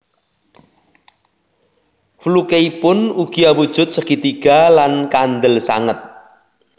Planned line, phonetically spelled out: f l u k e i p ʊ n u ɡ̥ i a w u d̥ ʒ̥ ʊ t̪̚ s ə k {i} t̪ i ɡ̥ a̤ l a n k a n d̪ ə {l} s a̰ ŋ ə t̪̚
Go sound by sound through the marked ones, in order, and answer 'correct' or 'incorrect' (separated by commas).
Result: correct, correct